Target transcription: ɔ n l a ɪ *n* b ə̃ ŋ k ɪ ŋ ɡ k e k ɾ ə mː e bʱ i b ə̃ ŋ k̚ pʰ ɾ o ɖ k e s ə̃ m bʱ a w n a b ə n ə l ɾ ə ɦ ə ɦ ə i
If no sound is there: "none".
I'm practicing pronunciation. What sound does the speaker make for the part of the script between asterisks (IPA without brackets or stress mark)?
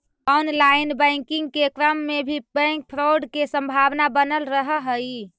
n